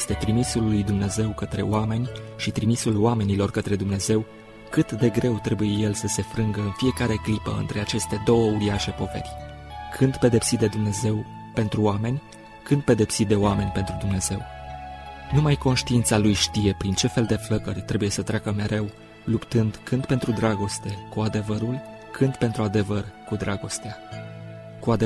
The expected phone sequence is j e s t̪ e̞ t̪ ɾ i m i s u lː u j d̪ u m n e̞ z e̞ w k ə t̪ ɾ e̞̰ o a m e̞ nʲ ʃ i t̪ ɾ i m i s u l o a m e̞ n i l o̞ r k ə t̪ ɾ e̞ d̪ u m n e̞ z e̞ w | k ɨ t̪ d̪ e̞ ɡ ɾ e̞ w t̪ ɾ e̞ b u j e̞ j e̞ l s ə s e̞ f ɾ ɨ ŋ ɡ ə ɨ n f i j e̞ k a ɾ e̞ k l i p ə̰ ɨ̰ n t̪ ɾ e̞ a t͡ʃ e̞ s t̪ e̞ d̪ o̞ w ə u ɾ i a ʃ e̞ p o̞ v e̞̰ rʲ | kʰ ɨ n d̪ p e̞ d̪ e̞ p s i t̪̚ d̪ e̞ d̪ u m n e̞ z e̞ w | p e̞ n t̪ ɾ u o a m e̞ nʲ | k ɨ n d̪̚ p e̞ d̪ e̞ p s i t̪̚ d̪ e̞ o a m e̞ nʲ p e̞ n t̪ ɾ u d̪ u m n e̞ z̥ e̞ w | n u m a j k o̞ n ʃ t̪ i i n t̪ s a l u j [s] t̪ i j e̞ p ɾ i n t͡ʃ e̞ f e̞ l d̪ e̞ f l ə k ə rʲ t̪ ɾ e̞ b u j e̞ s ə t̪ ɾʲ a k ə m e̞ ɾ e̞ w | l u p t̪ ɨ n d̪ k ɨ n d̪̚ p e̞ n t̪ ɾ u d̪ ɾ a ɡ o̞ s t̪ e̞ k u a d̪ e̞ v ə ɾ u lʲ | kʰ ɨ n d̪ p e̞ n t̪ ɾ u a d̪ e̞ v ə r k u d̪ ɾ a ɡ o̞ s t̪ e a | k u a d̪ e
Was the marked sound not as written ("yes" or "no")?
yes